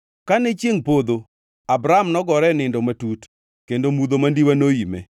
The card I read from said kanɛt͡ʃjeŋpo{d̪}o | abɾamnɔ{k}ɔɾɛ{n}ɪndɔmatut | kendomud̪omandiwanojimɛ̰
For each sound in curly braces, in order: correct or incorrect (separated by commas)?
correct, incorrect, correct